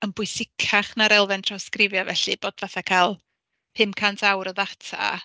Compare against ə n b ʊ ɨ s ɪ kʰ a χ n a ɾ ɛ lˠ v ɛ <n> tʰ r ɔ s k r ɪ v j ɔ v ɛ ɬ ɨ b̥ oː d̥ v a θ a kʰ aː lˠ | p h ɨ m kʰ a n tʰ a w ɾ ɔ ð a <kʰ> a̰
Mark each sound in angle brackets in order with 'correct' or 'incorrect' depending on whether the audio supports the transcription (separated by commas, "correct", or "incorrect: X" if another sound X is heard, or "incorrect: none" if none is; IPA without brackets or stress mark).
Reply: correct, incorrect: tʰ